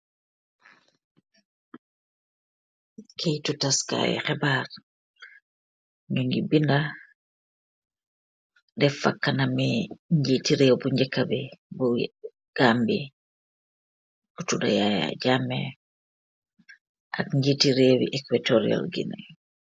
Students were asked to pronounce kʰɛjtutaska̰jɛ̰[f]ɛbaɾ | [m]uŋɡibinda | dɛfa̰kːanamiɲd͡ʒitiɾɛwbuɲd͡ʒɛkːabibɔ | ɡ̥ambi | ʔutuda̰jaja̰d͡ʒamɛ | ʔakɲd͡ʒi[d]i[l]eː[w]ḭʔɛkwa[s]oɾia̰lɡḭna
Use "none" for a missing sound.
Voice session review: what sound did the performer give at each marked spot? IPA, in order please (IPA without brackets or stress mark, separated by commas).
x, ɲ, t, ɾ, w, t